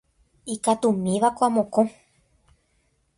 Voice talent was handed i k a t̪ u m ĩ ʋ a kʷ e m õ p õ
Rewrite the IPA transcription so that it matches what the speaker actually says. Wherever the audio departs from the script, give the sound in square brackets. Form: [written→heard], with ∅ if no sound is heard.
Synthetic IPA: i k a t̪ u m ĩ ʋ a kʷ [e→a] m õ [p→k] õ

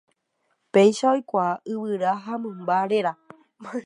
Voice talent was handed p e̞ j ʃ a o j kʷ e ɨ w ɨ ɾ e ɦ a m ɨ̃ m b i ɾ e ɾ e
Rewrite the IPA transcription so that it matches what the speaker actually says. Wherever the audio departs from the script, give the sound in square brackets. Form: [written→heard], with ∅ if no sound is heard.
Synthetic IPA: p e̞ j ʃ a o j kʷ [e→a] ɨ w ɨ ɾ [e→a] ɦ a m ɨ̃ m b [i→a] ɾ e ɾ [e→a]

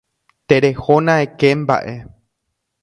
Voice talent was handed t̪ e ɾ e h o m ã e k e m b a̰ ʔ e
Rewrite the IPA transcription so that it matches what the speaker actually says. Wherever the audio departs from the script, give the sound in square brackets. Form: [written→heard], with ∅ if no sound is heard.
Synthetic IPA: t̪ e ɾ e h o [m→n] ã e k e m b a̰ ʔ e

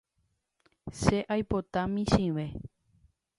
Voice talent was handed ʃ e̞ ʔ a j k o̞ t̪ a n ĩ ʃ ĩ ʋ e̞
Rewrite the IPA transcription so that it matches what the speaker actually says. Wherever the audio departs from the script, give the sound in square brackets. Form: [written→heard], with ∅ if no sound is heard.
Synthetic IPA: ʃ e̞ ʔ a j [k→p] o̞ t̪ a [n→m] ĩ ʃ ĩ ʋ e̞

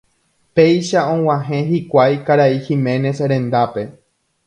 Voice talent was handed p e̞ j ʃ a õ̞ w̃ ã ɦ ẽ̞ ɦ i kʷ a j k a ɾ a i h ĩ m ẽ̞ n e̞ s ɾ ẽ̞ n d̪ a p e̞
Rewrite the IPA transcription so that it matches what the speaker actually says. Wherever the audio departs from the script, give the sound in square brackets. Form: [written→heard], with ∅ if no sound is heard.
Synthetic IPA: p e̞ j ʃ a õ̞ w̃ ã ɦ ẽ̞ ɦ i kʷ a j k a ɾ a i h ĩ m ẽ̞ n e̞ s ɾ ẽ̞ n d̪ a p e̞

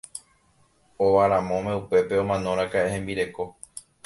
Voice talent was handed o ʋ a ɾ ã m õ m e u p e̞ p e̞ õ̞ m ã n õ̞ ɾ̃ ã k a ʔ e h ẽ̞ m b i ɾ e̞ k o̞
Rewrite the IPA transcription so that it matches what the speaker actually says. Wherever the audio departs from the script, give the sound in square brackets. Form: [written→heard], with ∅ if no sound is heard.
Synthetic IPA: o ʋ a ɾ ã m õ m e u p e̞ p e̞ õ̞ m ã n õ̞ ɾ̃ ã k a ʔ e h ẽ̞ m b i ɾ e̞ k o̞

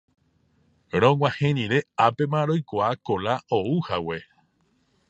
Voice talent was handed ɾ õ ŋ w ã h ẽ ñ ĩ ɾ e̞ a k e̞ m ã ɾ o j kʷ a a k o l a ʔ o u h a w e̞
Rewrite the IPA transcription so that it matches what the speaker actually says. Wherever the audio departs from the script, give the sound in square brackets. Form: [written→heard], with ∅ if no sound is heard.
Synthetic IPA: ɾ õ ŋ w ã h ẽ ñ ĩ ɾ e̞ a [k→p] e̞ m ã ɾ o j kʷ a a k o l a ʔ o u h a w e̞

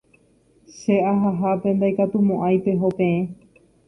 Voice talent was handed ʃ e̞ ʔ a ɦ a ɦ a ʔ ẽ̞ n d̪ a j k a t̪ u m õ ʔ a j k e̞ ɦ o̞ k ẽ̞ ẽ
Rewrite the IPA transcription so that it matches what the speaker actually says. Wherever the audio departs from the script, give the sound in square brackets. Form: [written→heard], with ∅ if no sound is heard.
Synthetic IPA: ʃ e̞ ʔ a ɦ a ɦ a [ʔ→p] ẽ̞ n d̪ a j k a t̪ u m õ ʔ a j [k→p] e̞ ɦ o̞ [k→p] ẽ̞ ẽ

